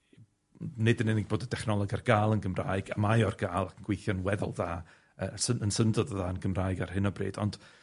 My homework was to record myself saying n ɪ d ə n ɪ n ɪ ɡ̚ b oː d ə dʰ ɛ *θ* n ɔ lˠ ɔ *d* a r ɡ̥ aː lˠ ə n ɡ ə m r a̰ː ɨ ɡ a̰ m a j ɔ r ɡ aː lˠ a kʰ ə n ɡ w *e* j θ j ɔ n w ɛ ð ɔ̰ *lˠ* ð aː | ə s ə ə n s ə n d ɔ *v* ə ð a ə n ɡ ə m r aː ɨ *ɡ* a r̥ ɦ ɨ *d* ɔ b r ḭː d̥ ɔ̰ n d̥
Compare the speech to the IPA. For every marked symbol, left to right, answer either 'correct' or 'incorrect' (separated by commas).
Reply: incorrect, incorrect, correct, correct, incorrect, correct, incorrect